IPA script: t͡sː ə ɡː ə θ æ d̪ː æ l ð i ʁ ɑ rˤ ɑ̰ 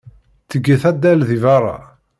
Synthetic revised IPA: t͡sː ə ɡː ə θ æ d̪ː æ l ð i v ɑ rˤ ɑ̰